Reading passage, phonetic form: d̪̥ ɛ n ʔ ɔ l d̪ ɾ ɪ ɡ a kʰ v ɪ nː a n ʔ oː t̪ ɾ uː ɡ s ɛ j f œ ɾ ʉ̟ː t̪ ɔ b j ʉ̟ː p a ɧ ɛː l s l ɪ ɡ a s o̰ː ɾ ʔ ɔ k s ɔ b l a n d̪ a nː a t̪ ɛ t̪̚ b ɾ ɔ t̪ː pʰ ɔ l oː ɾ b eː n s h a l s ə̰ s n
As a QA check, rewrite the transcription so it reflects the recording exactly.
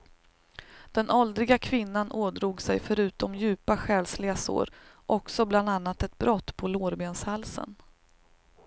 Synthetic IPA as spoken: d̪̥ ɛ n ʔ ɔ l d̪ ɾ ɪ ɡ a kʰ v ɪ nː a n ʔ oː d̪ ɾ uː ɡ s ɛ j f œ ɾ ʉ̟ː t̪ ɔ m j ʉ̟ː p a ɧ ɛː l s l ɪ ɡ a s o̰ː ɾ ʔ ɔ k s ɔ b l a n d̪ a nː a t̪ ɛ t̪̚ b ɾ ɔ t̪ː pʰ ɔ l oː ɾ b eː n s h a l s ə̰ n

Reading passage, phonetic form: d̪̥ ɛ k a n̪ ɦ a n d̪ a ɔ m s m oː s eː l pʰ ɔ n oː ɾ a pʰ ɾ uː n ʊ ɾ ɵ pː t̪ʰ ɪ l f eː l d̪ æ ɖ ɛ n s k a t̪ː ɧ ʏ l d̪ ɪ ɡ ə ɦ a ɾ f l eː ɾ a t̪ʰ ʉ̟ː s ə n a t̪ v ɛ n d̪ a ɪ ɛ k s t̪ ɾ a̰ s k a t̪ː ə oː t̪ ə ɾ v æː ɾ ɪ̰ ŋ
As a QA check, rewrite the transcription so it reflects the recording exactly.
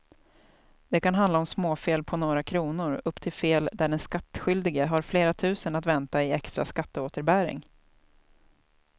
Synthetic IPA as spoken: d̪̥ ɛ k a n̪ ɦ a n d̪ a ɔ m s m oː f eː l pʰ ɔ n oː ɾ a kʰ ɾ uː n ʊ ɾ ɵ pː t̪ʰ ɪ l f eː l d̪ æ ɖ ɛ n s k a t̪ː ɧ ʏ l d̪ ɪ ɡ ə ɦ a ɾ f l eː ɾ a t̪ʰ ʉ̟ː s ə n a t̪ v ɛ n t̪ a ɪ ɛ k s t̪ ɾ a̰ s k a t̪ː ə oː t̪ ə ɾ b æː ɾ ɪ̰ ŋ

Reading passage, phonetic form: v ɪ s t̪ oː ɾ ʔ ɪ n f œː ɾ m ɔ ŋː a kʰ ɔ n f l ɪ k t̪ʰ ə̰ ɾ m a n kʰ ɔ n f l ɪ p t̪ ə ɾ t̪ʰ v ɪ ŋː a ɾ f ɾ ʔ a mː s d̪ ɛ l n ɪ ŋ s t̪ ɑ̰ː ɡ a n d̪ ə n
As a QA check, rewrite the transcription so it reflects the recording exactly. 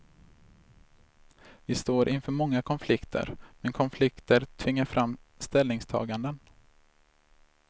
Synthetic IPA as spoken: v ɪ s t̪ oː ɾ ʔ ɪ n f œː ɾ m ɔ ŋː a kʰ ɔ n f l ɪ k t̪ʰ ə̰ ɾ m ɛ n kʰ ɔ n f l ɪ k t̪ ə ɾ t̪ʰ v ɪ ŋː a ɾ f ɾ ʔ a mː s t̪ ɛ l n ɪ ŋ s t̪ʰ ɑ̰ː ɡ a n d̪ ə n

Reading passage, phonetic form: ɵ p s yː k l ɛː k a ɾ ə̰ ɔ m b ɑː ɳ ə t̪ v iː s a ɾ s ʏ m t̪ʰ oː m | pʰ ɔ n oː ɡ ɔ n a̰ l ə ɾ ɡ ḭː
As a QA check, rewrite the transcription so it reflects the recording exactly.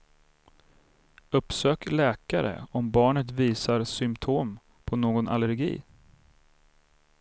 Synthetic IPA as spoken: ɵ p s øː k l ɛː k a ɾ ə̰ ɔ m b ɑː ɳ ə t̪ v iː s a ɾ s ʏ m t̪ʰ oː m | pʰ ɔ n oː ɡ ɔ n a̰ l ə ɾ ɡ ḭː

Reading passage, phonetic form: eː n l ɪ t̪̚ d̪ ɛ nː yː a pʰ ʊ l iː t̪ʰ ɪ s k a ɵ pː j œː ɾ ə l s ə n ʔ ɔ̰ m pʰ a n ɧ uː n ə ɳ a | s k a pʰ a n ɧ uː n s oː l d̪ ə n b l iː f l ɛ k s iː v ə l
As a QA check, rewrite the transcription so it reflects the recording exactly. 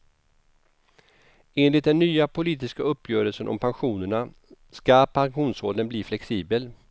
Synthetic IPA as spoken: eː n l ɪ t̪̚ d̪ ɛ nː yː a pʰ ʊ l iː t̪ ɪ s k a ɵ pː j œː ɾ ə l s ə n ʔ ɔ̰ m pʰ a n ɧ uː n ə ɳ a | s k a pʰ a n ɧ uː n s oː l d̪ ə n b l iː f l ɛ k s iː b ə l

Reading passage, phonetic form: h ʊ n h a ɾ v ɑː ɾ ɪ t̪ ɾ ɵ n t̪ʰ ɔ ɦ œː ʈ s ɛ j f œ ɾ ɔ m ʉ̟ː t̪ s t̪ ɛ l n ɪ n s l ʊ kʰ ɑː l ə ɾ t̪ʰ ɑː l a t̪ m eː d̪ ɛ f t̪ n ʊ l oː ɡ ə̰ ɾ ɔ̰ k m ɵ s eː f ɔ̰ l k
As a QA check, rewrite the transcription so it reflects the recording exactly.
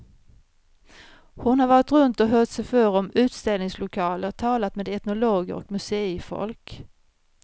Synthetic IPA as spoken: h ʊ n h a ɾ v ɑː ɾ ɪ t̪ ɾ ɵ n t̪ ɔ ɦ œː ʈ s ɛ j f œ ɾ ɔ m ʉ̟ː t̪ s t̪ ɛ l n ɪ ŋ s l ʊ kʰ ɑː l ə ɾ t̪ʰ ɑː l a t̪ m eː d̪ ɛ t̪ n ʊ l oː ɡ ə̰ ɾ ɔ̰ k m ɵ s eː f ɔ̰ l k

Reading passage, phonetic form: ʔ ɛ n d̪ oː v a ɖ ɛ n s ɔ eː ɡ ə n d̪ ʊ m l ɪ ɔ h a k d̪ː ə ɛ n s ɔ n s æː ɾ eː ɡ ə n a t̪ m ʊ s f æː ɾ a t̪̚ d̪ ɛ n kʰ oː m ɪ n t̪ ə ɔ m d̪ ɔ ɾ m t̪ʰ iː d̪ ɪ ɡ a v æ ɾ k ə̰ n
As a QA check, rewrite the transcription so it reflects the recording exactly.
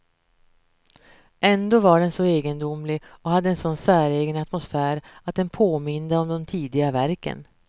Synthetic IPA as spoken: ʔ ɛ n d̪ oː v a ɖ ɛ n s ɔ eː ɡ ə n d̪ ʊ m l ɪ ɔ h a d̪ː ə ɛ n s ɔ n s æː ɾ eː ɡ ə n a t̪ m ʊ s f æː ɾ a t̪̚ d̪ ɛ n pʰ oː m ɪ n d̪ ə ɔ m d̪ ɔ m t̪ʰ iː d̪ ɪ ɡ a v æ ɾ k ə̰ n

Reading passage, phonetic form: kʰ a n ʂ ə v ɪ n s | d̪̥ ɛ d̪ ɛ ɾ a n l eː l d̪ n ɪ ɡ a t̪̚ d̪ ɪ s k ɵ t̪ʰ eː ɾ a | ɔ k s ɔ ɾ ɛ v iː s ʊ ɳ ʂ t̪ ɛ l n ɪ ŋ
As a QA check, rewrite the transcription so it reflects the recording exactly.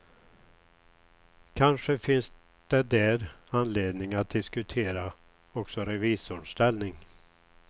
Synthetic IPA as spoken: kʰ a n ʂ ə f ɪ n s | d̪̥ ɛ d̪ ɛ ɾ a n l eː d̪ n ɪ ŋ a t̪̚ d̪ ɪ s k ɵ t̪ʰ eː ɾ a | ɔ k s ɔ ɾ ɛ v iː s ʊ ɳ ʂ t̪ ɛ l n ɪ ŋ

